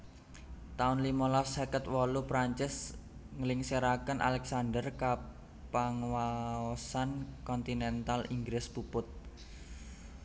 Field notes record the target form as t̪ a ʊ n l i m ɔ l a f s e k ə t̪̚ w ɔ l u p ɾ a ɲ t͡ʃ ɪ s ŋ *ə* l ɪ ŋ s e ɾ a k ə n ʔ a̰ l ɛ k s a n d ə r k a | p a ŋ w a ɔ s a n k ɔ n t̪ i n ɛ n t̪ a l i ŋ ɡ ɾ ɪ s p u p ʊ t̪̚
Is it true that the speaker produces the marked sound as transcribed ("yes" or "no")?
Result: yes